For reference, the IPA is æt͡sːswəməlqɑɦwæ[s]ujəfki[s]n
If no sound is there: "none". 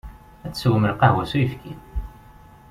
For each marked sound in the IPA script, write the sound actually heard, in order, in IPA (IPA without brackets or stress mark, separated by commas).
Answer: s, none